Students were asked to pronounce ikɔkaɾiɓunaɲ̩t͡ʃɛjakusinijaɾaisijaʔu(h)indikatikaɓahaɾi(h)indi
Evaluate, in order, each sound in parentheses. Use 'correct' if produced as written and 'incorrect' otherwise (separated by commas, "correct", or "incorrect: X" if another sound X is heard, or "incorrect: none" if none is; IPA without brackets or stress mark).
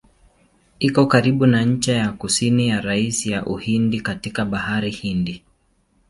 correct, correct